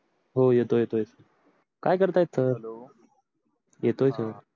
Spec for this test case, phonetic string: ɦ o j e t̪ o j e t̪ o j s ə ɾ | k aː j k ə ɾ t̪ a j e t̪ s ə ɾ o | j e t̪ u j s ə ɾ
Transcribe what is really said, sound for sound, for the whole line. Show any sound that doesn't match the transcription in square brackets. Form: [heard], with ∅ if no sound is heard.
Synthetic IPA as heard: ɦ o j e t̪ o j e t̪ o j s ə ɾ | k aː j k ə ɾ t̪ a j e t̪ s ə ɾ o | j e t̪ [o] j s ə ɾ

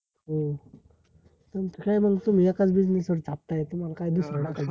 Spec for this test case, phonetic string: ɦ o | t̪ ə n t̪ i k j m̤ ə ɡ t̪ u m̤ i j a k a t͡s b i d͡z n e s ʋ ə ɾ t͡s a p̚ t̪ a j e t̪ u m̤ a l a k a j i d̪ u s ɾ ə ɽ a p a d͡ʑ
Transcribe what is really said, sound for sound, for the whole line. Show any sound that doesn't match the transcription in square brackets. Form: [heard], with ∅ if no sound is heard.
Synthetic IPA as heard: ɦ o | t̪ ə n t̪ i k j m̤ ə ɡ t̪ u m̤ i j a k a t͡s b i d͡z n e s ʋ ə ɾ t͡s a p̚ t̪ a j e t̪ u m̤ a l a k a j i d̪ u s ɾ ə ɽ a [k] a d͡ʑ

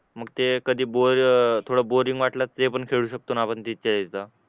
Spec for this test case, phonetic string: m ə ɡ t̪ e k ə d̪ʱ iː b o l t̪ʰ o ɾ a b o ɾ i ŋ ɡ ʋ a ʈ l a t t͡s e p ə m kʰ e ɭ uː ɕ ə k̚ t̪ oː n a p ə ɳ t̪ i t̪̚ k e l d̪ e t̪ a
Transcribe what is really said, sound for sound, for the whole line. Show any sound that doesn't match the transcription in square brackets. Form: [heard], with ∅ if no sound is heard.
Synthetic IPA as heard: m ə ɡ t̪ e k ə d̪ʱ iː b o [ɾ] t̪ʰ o [ɽ] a b o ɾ i ŋ ɡ ʋ a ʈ l a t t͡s e p ə [ɳ] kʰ e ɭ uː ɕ ə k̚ t̪ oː n a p ə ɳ t̪ i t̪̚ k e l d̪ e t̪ a

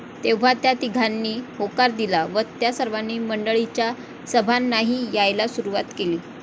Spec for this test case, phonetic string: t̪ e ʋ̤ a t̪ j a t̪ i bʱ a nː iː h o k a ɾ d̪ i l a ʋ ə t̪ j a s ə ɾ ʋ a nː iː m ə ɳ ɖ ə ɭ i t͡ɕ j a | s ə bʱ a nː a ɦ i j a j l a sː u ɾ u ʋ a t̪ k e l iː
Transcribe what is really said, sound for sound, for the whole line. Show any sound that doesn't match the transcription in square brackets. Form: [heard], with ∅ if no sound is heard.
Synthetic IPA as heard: t̪ e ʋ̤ a t̪ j a t̪ i [ɡʱ] a nː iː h o k a ɾ d̪ i l a ʋ ə t̪ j a s ə ɾ ʋ a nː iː m ə ɳ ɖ ə ɭ i t͡ɕ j a | s ə bʱ a nː a ɦ i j a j l a [s] u ɾ u ʋ a t̪ k e l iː

